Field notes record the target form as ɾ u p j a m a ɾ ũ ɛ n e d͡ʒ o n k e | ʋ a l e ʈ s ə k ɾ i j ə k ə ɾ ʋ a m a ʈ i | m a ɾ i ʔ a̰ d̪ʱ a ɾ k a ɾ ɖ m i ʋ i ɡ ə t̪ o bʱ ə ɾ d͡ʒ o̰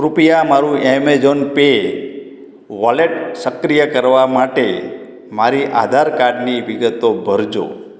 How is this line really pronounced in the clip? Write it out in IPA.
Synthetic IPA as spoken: ɾ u p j a m a ɾ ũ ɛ m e d͡ʒ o n p e | ʋ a l e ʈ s ə k ɾ i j ə k ə ɾ ʋ a m a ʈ e | m a ɾ i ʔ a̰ d̪ʱ a ɾ k a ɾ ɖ n i ʋ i ɡ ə t̪ o bʱ ə ɾ d͡ʒ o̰